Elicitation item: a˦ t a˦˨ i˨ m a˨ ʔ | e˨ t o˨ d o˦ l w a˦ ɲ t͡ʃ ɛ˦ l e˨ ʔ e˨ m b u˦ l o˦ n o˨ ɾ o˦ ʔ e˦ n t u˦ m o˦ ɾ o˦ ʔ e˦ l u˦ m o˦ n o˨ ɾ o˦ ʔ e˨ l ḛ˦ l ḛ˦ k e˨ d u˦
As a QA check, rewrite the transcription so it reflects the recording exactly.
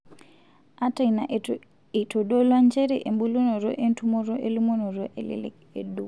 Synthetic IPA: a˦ t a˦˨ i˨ n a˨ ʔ | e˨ t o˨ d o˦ l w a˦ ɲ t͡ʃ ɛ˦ ɾ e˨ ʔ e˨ m b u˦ l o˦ n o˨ ɾ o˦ ʔ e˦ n t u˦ m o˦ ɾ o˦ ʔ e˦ l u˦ m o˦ n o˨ ɾ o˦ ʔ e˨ l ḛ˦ l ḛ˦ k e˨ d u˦